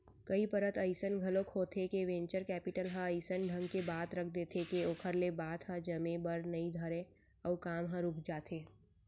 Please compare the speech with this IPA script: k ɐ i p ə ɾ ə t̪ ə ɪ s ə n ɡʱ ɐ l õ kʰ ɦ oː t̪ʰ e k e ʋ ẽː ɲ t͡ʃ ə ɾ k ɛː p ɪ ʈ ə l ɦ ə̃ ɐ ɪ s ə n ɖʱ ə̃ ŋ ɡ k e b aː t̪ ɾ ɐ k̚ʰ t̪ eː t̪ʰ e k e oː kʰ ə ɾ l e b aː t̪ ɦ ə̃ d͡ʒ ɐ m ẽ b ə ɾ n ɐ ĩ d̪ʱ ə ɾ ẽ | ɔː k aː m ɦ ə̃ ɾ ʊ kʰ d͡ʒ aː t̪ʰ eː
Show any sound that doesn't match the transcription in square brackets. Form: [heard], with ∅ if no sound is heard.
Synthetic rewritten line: k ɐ i p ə ɾ ə t̪ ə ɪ s ə n ɡʱ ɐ l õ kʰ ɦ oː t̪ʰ e k e ʋ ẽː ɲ t͡ʃ ə ɾ k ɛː p ɪ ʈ ə l ɦ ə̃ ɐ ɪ s ə n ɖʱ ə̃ ŋ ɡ k e b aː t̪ ɾ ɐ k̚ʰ [d̪] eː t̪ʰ e k e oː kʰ ə ɾ l e b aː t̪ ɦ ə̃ d͡ʒ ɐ m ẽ b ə ɾ n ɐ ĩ d̪ʱ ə ɾ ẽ | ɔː k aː m ɦ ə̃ ɾ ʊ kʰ d͡ʒ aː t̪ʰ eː